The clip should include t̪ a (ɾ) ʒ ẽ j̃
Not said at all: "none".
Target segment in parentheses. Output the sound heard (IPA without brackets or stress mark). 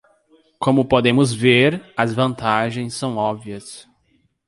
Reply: none